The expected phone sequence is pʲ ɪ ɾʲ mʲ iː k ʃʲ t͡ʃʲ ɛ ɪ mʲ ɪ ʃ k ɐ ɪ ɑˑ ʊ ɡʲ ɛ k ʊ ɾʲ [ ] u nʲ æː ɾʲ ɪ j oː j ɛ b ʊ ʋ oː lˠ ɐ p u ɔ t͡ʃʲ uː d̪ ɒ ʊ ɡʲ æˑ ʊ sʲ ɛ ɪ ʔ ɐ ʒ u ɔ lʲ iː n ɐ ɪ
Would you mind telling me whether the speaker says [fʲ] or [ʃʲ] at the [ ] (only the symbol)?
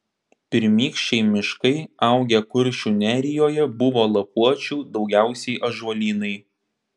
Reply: ʃʲ